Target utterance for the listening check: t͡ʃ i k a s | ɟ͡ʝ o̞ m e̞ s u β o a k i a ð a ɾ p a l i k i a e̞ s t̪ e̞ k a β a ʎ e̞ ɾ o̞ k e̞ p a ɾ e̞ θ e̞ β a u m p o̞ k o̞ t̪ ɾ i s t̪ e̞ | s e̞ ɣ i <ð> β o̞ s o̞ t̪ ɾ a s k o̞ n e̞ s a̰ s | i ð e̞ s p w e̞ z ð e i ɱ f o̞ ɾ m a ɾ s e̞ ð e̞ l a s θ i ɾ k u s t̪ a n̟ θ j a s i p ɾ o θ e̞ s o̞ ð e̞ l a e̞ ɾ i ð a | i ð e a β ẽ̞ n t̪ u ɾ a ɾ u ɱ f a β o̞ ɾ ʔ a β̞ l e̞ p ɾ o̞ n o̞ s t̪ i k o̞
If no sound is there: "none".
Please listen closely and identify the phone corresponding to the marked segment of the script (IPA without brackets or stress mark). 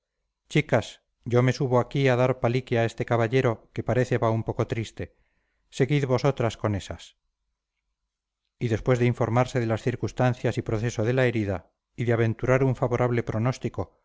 ð